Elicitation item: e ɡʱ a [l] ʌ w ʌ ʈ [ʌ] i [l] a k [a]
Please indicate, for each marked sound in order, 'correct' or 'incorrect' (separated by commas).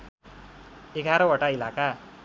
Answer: incorrect, incorrect, correct, correct